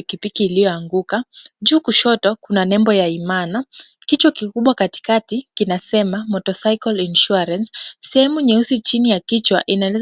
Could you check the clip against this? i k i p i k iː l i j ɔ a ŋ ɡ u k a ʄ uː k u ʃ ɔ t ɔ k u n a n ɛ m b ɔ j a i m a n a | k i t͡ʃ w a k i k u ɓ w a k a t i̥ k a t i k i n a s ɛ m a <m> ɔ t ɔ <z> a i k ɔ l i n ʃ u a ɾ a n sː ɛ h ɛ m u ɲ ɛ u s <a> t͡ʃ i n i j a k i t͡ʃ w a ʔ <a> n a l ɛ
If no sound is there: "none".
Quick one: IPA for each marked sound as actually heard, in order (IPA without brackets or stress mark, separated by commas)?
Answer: m, s, i, i